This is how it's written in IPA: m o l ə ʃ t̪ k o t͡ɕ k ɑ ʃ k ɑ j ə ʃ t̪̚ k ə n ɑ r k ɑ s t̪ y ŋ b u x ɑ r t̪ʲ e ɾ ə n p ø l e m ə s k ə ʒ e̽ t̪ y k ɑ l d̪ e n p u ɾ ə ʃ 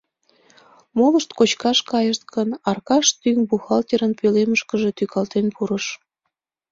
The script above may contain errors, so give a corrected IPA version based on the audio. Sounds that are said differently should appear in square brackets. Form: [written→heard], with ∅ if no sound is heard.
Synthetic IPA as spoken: m o l ə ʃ t̪ k o t͡ɕ k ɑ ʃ k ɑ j ə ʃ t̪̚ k ə n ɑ r k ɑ [s→ʃ] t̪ y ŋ b u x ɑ [r→l] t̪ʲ e ɾ ə n p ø l e m ə [s→ʃ] k ə ʒ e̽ t̪ y k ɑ l [d̪→t̪] e n p u ɾ ə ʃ